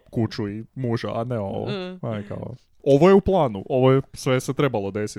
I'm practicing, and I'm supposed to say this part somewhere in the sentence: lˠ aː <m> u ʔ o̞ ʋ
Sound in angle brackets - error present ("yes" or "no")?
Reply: yes